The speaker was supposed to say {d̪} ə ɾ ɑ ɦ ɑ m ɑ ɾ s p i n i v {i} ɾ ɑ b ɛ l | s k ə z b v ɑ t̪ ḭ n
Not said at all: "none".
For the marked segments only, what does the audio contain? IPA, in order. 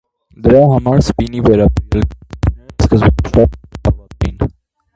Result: d̪, ɛ

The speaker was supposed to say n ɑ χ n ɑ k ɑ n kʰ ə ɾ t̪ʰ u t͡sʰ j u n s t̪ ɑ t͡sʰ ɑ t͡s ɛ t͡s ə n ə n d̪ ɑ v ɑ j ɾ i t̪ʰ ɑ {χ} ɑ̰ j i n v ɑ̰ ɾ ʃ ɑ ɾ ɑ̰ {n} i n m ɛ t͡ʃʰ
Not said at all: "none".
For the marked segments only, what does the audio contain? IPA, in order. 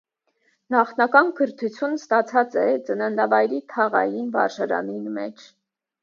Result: ʁ, n

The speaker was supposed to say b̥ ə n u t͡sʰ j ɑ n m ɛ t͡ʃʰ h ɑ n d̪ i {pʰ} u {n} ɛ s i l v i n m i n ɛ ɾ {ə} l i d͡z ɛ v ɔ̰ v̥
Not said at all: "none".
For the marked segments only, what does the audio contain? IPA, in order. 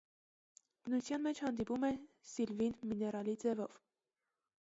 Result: p, m, ɑ

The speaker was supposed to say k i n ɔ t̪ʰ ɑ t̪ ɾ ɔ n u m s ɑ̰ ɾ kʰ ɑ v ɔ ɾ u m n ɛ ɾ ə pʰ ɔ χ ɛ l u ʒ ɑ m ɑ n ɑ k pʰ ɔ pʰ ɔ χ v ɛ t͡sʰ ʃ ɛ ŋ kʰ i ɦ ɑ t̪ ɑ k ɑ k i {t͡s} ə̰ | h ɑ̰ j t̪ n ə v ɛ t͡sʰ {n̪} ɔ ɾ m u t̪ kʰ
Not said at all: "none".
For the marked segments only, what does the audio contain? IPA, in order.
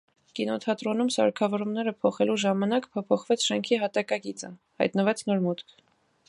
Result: t͡s, n̪

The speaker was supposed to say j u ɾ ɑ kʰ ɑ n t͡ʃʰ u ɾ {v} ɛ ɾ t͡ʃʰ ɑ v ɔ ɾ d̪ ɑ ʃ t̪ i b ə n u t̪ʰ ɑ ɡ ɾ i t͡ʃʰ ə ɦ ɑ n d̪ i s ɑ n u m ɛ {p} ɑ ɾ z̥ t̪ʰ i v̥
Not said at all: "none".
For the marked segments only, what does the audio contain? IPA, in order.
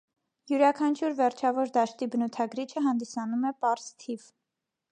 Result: v, p

